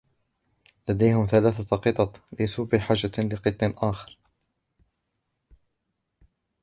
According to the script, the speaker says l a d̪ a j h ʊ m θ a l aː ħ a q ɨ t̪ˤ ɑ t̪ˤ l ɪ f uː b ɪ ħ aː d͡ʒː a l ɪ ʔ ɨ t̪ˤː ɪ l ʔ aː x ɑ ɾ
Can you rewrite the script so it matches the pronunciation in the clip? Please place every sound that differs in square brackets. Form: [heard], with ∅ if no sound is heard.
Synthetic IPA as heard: l a d̪ a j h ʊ m θ a l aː [θ] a q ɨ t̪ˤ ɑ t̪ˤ l ɪ [s] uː b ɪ ħ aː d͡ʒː a l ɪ [q] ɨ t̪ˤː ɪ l ʔ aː x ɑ ɾ